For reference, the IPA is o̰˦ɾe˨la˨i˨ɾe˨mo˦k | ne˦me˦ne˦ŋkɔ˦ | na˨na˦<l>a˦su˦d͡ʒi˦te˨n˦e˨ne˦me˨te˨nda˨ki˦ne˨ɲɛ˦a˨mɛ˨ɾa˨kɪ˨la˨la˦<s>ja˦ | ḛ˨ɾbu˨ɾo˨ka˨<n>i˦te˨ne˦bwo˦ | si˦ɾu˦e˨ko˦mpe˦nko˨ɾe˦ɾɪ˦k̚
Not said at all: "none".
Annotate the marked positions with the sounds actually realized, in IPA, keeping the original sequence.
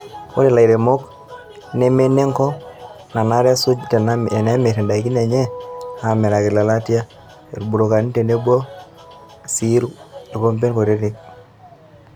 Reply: ɾ, t, n

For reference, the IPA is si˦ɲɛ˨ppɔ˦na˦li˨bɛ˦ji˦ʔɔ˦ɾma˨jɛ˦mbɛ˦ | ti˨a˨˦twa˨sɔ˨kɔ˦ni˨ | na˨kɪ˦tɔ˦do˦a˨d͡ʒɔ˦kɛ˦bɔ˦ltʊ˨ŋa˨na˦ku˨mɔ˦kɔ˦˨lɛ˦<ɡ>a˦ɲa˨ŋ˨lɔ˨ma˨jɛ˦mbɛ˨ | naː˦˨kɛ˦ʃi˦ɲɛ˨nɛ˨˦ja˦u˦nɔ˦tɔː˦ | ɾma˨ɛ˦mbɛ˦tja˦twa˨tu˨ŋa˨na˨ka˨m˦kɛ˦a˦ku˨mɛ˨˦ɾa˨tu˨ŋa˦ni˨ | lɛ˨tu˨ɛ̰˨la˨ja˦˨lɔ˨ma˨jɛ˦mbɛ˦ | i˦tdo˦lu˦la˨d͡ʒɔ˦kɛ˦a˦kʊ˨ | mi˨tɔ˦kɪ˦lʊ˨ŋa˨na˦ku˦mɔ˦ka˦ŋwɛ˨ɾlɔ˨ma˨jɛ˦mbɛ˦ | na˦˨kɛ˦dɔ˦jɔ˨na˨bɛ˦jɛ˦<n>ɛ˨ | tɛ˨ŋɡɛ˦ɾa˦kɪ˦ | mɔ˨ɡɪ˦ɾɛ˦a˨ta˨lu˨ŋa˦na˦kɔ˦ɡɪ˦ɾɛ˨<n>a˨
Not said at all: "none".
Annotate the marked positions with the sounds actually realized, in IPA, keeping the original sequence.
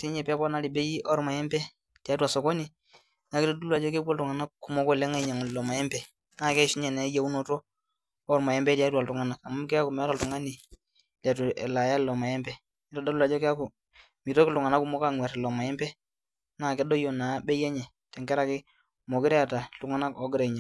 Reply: ŋ, ɲ, ɲ

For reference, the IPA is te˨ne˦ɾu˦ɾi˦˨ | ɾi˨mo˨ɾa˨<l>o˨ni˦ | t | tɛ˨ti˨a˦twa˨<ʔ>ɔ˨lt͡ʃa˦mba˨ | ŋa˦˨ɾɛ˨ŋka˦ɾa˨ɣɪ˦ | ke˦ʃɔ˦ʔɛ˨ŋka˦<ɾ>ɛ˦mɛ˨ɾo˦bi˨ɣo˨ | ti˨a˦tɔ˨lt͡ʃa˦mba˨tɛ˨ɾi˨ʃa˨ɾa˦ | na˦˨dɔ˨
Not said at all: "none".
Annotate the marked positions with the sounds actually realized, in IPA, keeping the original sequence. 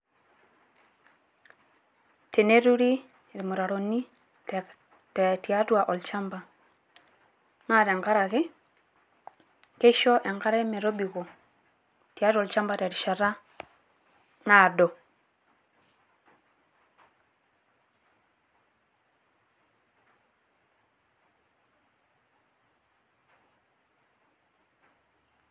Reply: ɾ, ʔ, ɾ

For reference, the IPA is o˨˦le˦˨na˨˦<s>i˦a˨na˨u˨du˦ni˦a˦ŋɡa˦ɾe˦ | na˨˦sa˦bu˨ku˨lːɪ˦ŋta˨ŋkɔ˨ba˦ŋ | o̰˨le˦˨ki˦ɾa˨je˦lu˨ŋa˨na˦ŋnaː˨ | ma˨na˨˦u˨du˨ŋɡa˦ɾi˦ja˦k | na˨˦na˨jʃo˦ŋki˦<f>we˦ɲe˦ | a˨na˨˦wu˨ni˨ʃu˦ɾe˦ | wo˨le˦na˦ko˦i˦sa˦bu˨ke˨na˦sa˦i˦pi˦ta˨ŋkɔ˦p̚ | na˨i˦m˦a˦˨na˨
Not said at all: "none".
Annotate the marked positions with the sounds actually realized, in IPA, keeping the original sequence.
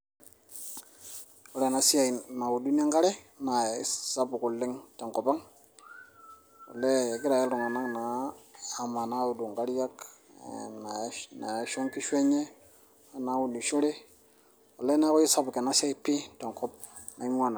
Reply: s, ʃ

